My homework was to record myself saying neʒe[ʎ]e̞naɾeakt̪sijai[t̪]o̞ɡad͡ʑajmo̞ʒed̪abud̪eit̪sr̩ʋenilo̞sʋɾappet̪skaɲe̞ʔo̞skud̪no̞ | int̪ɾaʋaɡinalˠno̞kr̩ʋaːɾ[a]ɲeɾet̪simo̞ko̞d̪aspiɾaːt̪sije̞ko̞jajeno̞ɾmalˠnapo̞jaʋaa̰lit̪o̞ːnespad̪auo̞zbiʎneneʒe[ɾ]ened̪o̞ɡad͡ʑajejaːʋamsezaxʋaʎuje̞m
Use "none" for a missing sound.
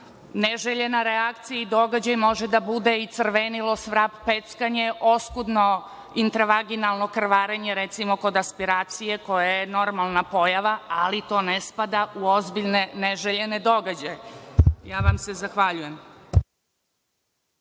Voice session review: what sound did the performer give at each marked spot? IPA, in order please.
ʎ, d̪, e, ʎ

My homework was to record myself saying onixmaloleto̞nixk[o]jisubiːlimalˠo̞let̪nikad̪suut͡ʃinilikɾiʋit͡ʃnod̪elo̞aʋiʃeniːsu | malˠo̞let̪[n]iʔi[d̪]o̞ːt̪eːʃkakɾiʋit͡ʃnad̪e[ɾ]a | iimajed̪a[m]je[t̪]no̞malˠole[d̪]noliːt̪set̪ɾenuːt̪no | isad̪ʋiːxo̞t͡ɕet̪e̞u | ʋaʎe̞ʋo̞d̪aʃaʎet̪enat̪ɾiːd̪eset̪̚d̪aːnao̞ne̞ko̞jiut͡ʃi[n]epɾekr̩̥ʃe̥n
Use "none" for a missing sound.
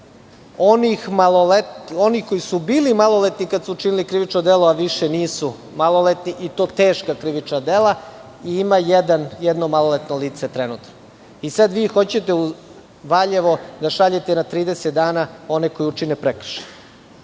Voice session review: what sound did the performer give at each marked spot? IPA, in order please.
o, n, t̪, l, n, d̪, t̪, n

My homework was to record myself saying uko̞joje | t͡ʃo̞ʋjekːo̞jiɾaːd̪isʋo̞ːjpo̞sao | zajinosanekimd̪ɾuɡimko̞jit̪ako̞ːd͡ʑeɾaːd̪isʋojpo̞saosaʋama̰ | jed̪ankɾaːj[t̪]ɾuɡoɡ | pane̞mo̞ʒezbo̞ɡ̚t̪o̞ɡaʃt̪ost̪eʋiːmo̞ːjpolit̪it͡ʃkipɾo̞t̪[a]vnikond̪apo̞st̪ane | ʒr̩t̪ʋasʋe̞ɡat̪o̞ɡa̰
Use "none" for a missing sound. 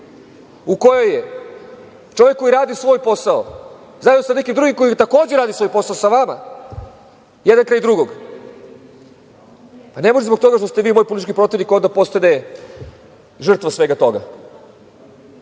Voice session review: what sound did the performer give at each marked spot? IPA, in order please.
d̪, i

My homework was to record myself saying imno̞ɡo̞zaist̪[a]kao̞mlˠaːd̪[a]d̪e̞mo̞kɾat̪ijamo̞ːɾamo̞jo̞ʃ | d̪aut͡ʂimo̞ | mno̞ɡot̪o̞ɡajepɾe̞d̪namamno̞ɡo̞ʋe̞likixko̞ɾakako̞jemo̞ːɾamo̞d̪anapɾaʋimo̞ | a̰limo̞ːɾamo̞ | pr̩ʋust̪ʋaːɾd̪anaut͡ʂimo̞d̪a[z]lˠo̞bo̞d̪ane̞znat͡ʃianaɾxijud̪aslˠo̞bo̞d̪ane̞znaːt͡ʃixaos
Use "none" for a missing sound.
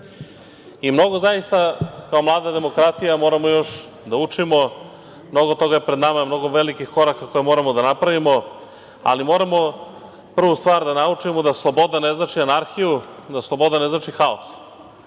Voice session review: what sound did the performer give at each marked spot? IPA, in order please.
a, a, s

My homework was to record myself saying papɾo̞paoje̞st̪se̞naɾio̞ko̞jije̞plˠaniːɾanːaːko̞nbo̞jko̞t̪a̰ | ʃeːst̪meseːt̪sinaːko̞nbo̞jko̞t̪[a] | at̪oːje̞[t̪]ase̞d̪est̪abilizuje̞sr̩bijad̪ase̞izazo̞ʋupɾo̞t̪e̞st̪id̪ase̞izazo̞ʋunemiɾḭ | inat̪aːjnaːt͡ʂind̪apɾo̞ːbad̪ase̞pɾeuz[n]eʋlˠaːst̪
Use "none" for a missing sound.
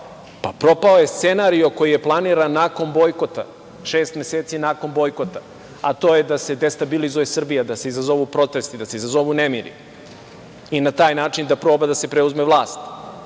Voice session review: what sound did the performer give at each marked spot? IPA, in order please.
a, d̪, m

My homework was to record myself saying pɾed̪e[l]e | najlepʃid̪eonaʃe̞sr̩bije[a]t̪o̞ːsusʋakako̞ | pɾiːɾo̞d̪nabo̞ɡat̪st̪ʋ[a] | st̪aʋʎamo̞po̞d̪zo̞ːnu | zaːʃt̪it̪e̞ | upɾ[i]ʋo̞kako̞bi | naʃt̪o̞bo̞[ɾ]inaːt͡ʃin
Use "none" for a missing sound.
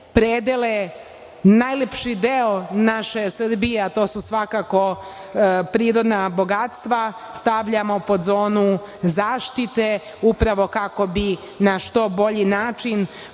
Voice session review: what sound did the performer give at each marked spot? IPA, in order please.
l, a, a, a, ʎ

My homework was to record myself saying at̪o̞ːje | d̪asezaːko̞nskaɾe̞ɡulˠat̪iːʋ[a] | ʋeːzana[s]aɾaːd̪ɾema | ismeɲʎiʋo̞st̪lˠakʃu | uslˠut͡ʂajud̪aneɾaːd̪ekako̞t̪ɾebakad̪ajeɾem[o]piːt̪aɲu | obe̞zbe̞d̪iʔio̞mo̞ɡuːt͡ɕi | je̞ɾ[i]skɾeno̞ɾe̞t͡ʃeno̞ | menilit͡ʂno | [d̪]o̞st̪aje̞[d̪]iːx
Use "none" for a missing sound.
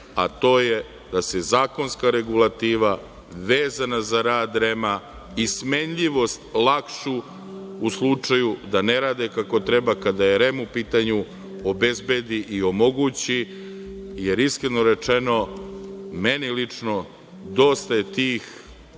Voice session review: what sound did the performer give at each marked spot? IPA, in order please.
a, z, u, i, d̪, t̪

